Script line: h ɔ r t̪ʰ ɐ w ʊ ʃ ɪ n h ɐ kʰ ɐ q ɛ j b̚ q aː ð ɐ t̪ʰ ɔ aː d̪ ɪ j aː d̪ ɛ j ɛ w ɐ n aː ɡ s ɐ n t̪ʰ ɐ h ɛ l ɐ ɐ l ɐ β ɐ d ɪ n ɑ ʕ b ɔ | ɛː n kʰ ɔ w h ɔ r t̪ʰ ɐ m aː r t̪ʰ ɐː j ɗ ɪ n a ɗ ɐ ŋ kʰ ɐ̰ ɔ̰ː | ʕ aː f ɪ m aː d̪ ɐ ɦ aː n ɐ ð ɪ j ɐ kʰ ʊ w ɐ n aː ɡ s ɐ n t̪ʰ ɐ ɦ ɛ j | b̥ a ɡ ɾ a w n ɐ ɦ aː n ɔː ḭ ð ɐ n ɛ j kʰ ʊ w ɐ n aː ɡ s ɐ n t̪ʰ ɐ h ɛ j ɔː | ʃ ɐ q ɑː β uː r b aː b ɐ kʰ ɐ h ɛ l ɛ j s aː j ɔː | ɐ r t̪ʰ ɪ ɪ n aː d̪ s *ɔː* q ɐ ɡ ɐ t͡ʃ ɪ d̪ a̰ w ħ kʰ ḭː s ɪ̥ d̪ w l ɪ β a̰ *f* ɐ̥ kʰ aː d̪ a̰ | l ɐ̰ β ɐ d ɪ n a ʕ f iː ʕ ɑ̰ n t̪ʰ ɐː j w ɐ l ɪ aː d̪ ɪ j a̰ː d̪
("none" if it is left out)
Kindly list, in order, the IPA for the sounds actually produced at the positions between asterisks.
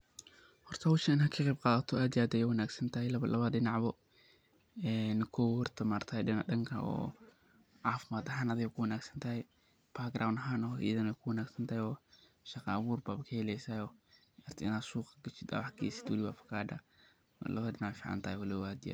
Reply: uː, f

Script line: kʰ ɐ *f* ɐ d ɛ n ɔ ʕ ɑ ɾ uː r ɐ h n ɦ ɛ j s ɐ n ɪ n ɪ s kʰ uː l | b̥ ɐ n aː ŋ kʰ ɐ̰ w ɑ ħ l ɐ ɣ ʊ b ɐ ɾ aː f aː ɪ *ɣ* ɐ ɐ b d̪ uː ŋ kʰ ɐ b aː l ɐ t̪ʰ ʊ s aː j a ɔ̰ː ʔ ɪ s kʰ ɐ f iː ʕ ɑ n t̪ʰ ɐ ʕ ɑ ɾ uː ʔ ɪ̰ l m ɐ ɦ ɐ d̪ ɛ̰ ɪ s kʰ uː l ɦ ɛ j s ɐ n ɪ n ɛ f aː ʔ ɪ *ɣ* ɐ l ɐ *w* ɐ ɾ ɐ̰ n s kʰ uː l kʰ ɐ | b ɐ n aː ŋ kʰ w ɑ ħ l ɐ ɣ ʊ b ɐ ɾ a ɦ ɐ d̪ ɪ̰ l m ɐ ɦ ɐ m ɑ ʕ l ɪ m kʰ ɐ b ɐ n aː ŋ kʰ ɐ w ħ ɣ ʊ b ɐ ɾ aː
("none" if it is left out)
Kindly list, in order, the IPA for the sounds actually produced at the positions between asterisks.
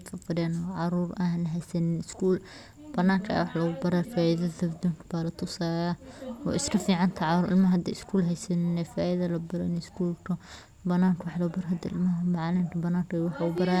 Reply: f, ð, ð, b

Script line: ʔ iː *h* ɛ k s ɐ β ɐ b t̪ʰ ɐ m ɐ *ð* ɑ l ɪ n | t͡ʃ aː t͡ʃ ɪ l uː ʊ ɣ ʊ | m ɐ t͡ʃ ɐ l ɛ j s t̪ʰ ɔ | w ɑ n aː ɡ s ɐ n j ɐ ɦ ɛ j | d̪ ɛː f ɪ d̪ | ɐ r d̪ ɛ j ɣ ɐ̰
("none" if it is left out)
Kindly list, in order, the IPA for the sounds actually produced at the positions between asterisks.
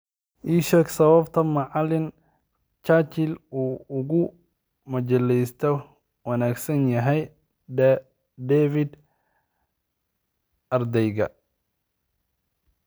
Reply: ʃ, ʕ

